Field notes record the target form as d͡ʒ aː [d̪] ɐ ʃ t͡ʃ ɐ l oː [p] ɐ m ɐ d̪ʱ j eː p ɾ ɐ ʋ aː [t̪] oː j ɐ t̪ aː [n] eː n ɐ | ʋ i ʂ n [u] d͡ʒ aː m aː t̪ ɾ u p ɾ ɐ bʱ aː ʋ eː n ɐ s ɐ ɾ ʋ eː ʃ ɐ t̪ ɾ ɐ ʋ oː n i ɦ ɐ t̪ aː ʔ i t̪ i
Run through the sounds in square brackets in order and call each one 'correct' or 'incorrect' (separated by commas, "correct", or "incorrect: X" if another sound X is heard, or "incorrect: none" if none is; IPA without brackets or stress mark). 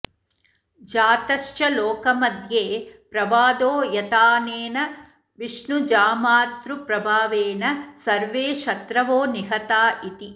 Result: incorrect: t̪, incorrect: k, incorrect: d̪, correct, correct